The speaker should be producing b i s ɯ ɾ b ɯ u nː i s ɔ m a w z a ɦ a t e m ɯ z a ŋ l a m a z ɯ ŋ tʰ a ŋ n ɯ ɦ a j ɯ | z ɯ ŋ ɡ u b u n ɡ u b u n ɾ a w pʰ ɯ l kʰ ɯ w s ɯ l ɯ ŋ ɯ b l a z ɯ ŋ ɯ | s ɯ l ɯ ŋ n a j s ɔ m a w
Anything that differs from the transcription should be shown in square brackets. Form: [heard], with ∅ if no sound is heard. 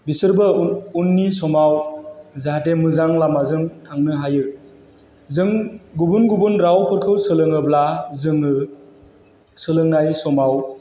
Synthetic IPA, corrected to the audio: b i s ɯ ɾ b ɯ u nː i s ɔ m a w z a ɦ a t e m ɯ z a ŋ l a m a z ɯ ŋ tʰ a ŋ n ɯ ɦ a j ɯ | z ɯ ŋ ɡ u b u n ɡ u b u n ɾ a w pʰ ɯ [ɾ] kʰ ɯ w s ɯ l ɯ ŋ ɯ b l a z ɯ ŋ ɯ | s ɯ l ɯ ŋ n a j s ɔ m a w